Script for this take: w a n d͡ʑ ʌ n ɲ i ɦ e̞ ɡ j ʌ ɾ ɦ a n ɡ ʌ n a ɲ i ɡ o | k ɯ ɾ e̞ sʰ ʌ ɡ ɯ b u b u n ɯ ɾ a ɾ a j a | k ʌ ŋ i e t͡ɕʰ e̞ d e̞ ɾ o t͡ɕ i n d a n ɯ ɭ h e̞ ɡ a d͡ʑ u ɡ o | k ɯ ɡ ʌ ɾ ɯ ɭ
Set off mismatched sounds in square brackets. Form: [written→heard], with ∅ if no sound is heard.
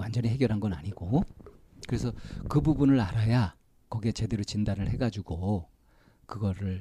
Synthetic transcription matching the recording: w a n d͡ʑ ʌ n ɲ i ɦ e̞ ɡ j ʌ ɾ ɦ a n ɡ ʌ n a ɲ i ɡ o | k ɯ ɾ e̞ sʰ ʌ [ɡ→k] ɯ b u b u n ɯ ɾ a ɾ a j a | k ʌ [ŋ→ɡ] i e [t͡ɕʰ→t͡ɕ] e̞ d e̞ ɾ o t͡ɕ i n d a n ɯ ɭ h e̞ ɡ a d͡ʑ u ɡ o | k ɯ ɡ ʌ ɾ ɯ ɭ